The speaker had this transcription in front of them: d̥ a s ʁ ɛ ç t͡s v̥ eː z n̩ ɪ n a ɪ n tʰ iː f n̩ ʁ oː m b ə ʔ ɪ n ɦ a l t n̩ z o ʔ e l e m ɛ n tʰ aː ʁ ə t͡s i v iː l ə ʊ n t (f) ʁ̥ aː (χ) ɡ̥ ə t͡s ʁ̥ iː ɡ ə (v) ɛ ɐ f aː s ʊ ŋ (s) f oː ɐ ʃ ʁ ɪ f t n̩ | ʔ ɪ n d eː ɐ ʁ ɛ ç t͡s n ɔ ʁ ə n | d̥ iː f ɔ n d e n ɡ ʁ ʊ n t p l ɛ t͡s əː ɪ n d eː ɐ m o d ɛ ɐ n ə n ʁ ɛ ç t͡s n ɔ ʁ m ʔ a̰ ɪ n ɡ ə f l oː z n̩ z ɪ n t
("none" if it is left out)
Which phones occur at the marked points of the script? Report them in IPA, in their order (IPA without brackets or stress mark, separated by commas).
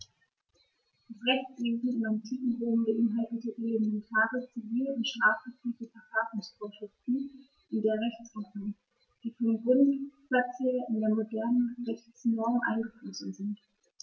ʃ, f, f, s